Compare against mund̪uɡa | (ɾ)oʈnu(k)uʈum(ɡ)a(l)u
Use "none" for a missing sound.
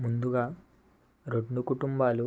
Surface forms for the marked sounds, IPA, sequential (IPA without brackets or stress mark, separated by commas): ɾ, k, b, l